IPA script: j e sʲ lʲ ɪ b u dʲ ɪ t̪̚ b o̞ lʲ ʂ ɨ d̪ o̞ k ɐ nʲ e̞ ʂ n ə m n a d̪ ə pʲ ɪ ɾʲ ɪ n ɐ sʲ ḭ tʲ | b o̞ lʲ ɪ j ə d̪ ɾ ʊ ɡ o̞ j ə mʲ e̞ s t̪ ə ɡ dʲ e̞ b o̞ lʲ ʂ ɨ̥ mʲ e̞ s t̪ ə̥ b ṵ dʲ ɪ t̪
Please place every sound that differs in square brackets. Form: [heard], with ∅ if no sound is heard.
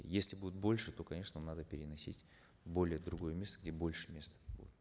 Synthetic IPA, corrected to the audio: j e sʲ lʲ ɪ b u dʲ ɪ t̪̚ b o̞ lʲ ʂ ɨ [t̪] o̞ k ɐ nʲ e̞ ʂ n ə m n a d̪ ə pʲ ɪ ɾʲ ɪ n ɐ sʲ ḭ tʲ | b o̞ lʲ ɪ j ə d̪ ɾ ʊ ɡ o̞ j ə mʲ e̞ s t̪ ə ɡ dʲ e̞ b o̞ lʲ ʂ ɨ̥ mʲ e̞ s t̪ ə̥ b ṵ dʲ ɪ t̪